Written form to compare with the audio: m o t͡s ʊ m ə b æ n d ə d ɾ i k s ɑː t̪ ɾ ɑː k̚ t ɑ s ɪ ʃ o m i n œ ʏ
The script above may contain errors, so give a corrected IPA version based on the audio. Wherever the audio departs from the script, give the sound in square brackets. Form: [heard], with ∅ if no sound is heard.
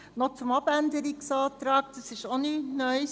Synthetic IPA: [n] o t͡s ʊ m [ɑ] b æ n d ə [∅] ɾ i k s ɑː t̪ ɾ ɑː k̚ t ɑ s ɪ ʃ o [n] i n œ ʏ

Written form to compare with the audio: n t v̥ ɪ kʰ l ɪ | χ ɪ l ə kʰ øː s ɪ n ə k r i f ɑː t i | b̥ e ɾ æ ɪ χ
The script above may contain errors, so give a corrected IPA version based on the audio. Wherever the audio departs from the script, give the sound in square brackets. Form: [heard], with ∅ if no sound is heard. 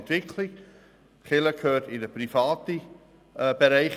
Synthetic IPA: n t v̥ ɪ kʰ l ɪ | χ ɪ l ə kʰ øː [t] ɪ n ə [p] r i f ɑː t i | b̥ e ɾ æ ɪ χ

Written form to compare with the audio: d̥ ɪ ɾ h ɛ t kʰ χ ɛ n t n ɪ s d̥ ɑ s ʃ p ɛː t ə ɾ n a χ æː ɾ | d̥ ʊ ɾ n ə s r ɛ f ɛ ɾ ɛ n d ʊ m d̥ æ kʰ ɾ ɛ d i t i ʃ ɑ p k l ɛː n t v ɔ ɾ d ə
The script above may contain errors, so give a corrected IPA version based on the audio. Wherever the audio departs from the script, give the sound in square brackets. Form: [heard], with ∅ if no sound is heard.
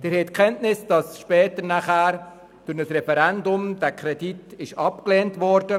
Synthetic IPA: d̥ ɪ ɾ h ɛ t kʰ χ ɛ n t n ɪ s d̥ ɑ s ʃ p ɛː t ə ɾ n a χ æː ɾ | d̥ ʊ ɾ n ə s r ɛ f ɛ ɾ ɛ n d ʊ m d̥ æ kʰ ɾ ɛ d i t [ɪ] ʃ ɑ p k l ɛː n t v ɔ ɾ d ə

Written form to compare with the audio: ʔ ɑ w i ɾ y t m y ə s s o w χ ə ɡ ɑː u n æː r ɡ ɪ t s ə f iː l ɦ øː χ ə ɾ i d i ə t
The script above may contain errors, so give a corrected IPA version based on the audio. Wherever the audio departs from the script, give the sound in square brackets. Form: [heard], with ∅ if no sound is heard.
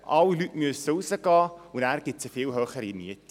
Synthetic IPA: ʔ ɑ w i [l] y t m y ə s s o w [s] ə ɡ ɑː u n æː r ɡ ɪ t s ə f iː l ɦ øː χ ə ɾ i [n] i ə t

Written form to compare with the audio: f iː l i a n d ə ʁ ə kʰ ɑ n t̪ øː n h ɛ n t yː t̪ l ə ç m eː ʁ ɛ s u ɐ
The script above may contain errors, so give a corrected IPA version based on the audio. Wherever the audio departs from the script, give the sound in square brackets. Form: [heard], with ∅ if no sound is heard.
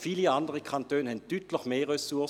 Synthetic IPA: f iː l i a n d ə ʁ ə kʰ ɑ n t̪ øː n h ɛ n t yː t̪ l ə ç m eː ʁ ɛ s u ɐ

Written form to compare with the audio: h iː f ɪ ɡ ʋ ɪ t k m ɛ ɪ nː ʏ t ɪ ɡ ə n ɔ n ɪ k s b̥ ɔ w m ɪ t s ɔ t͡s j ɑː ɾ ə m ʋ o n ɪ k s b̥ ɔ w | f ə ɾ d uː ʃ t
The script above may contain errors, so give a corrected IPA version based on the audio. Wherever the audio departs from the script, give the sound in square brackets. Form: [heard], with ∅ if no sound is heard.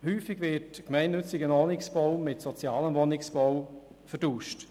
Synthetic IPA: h [yː] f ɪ ɡ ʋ ɪ t k m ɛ ɪ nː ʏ [t͡s] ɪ ɡ ə n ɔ n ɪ k s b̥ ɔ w m ɪ t s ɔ t͡s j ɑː [l] ə m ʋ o n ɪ k s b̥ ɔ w | f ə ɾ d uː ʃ t

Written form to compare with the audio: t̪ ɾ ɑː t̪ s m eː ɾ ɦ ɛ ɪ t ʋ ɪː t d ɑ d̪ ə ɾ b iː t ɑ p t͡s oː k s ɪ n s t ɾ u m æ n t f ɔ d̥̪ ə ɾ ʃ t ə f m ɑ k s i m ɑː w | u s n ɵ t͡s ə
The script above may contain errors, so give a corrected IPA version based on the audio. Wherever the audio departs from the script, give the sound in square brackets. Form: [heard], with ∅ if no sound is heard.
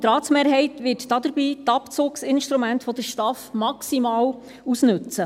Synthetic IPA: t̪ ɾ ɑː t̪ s m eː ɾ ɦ ɛ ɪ t ʋ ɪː t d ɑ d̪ ə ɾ b iː t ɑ p t͡s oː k s ɪ n [ʃ] t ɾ u m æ n t f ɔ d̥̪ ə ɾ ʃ t [ɑ] f m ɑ k s i m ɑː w | u s n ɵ t͡s ə

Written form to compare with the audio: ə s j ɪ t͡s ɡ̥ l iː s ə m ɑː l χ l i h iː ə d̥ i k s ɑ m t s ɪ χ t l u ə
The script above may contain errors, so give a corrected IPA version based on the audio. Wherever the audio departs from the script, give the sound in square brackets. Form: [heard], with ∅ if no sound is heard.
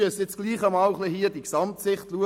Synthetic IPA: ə s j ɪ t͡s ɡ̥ l iː [χ] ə m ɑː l χ l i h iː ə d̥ i k s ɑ m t s ɪ χ t l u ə

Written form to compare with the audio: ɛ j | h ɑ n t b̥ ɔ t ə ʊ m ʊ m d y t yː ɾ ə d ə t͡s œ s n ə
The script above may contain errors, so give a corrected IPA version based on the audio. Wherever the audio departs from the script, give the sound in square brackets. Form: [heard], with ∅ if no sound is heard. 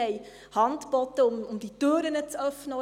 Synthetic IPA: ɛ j | h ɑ n t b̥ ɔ t ə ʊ m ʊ m d [i] t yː ɾ ə [n] ə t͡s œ [f] n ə

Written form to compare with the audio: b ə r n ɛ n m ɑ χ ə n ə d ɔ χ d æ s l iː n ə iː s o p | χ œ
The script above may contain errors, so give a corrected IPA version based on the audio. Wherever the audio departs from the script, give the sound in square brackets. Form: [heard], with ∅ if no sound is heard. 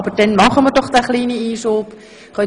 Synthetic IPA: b ə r [d] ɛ n m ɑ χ ə [m] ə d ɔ χ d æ [χ] l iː n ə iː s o p | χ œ

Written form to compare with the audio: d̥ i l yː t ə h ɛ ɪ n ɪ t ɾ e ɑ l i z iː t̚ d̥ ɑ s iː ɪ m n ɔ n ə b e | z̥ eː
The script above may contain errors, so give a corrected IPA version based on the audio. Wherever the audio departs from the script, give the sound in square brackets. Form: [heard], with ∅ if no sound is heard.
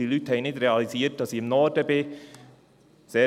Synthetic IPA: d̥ i l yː t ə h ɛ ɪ n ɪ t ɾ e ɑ l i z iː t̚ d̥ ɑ s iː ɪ m n ɔ [d] ə b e | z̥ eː

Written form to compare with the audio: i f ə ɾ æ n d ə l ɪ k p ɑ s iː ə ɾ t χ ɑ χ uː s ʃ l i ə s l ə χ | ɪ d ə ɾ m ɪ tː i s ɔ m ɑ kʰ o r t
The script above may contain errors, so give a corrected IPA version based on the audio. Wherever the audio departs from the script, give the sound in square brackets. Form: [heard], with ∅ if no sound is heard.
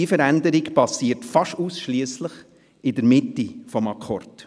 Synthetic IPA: i f ə ɾ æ n d ə [ɾ] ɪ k p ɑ s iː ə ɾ t [f] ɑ [ʃ] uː s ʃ l i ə s l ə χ | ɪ d ə ɾ m ɪ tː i [f] ɔ m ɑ kʰ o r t

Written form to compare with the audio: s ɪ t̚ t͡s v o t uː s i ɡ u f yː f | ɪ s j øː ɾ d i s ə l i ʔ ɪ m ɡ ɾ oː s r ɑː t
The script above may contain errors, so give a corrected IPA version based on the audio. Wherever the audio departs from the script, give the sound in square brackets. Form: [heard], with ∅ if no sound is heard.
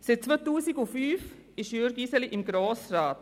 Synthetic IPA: s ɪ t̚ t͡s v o t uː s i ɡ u f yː f | ɪ [ʃ] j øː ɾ [ɡ] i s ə l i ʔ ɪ m ɡ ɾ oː s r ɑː t

